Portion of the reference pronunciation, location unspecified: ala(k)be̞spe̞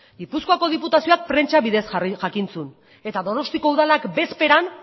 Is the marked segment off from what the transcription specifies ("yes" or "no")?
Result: no